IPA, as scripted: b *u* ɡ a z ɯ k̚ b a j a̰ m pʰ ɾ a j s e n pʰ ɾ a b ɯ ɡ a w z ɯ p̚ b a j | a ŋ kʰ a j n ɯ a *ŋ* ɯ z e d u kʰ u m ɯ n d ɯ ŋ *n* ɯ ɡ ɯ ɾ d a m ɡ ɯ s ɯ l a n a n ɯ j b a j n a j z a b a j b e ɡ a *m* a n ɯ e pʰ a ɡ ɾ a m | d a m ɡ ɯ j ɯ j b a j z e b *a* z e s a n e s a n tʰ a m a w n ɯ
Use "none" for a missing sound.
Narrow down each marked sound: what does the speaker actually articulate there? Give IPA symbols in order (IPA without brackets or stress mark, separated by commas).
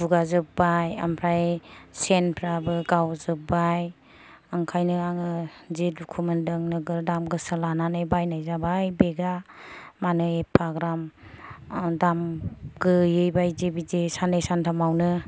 u, ŋ, n, m, i